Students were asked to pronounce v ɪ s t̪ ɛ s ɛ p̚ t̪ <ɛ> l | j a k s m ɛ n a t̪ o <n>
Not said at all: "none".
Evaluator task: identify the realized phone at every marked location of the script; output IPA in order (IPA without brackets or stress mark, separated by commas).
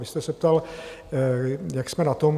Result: a, m